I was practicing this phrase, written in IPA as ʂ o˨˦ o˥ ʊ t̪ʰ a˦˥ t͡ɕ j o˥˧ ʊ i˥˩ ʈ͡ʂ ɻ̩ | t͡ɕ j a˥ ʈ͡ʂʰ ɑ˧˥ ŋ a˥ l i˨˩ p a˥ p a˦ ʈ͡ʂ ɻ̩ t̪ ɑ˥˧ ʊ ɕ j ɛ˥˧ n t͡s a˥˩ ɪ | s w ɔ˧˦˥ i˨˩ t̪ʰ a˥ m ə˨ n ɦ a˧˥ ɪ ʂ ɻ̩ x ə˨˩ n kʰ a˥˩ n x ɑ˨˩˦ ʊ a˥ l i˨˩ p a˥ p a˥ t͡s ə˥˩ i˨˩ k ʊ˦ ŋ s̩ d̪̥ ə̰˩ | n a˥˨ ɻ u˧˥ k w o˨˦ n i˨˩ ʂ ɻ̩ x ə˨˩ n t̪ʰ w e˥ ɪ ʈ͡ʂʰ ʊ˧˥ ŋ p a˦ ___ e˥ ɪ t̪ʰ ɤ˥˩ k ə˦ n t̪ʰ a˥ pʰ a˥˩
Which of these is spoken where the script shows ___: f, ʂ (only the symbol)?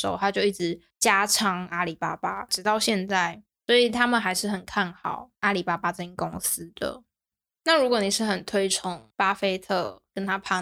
f